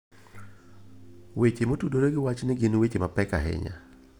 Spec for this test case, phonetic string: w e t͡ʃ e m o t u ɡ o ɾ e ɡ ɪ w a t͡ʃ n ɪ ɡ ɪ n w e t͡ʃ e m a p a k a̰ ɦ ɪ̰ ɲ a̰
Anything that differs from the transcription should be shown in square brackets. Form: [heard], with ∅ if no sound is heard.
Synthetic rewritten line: w e t͡ʃ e m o t u [d] o ɾ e ɡ ɪ w a t͡ʃ n ɪ ɡ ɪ n w e t͡ʃ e m a p [ɛ] k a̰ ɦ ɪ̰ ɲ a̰